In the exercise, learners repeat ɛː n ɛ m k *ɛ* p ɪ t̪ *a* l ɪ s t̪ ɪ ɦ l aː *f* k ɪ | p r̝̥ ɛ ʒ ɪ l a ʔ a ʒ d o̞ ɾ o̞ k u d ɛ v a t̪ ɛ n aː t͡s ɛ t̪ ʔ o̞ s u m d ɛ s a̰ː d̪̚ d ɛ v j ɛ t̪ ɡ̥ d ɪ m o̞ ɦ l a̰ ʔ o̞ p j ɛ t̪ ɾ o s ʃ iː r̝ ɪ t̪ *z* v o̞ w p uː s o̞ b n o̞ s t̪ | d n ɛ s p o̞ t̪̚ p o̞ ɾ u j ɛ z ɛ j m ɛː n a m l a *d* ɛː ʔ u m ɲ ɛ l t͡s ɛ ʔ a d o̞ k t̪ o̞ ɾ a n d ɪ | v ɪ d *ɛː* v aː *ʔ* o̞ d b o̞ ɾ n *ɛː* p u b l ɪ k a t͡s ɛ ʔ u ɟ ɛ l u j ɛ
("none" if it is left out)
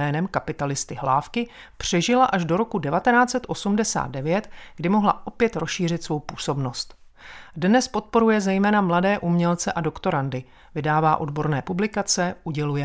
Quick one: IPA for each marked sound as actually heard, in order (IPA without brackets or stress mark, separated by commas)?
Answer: a, a, f, s, d, aː, ʔ, ɛː